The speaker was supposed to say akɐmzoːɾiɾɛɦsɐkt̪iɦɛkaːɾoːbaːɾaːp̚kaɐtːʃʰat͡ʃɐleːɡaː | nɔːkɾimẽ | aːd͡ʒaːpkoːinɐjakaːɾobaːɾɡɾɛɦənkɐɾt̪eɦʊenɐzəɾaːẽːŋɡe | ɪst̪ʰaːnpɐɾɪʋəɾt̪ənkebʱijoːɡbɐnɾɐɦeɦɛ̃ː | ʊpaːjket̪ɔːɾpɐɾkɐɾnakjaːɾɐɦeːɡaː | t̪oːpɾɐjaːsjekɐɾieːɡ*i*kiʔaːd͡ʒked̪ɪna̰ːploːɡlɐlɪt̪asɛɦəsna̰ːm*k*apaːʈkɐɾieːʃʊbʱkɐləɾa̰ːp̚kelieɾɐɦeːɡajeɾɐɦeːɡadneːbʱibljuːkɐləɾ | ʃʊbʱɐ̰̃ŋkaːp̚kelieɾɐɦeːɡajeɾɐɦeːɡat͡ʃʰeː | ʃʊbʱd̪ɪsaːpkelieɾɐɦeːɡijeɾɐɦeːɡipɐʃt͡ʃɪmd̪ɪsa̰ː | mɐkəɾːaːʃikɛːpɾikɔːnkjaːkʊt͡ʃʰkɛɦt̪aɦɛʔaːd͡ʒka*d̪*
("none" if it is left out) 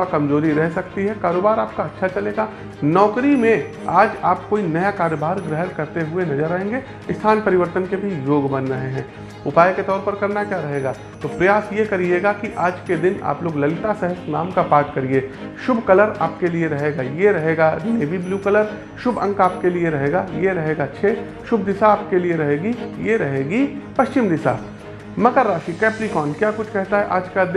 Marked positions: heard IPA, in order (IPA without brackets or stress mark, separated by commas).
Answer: a, k, d̪